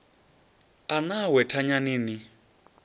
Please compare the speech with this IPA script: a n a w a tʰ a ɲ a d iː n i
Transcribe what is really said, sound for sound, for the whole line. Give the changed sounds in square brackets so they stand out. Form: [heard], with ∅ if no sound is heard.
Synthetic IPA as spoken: a n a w [ɛ] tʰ a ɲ a [n] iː n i